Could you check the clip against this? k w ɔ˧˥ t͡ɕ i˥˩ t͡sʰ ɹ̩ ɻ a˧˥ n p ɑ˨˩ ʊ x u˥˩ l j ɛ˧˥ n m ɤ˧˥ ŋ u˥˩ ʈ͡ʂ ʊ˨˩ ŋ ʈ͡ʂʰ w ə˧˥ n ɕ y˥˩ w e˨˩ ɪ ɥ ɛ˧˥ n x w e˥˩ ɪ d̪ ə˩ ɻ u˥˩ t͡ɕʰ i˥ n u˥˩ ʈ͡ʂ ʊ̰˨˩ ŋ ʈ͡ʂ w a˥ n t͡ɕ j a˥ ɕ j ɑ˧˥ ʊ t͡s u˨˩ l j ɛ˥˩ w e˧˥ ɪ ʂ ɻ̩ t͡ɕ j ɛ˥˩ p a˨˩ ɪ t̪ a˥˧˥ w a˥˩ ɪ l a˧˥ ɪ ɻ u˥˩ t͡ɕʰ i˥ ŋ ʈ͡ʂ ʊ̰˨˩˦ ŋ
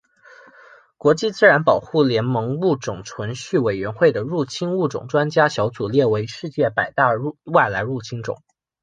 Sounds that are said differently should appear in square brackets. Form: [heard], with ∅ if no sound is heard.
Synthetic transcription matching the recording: k w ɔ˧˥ t͡ɕ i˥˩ [t͡s] ɹ̩ ɻ a˧˥ n p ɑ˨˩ ʊ x u˥˩ l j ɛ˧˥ n m ɤ˧˥ ŋ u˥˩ ʈ͡ʂ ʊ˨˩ ŋ ʈ͡ʂʰ w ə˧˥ n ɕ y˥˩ w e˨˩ ɪ ɥ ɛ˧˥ n x w e˥˩ ɪ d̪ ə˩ ɻ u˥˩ t͡ɕʰ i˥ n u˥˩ ʈ͡ʂ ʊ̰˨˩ ŋ ʈ͡ʂ w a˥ n t͡ɕ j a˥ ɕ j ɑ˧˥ ʊ t͡s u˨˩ l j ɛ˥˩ w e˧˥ ɪ ʂ ɻ̩ t͡ɕ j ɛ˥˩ p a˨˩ ɪ t̪ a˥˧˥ w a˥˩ ɪ l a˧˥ ɪ ɻ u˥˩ t͡ɕʰ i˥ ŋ ʈ͡ʂ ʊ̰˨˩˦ ŋ